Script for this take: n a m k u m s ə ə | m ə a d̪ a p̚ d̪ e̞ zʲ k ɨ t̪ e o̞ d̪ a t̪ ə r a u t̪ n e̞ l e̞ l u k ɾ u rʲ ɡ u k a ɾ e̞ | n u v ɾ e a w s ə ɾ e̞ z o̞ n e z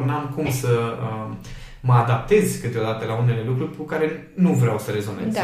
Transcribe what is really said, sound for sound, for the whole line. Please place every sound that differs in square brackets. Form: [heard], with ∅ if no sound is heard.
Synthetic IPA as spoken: n a m k u m s ə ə | m ə a d̪ a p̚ [t̪] e̞ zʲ k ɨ t̪ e o̞ d̪ a t̪ ə [l] a u [∅] n e̞ l e̞ l u k ɾ u rʲ [k] u k a ɾ e̞ | n u v ɾ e a w s ə ɾ e̞ z o̞ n e z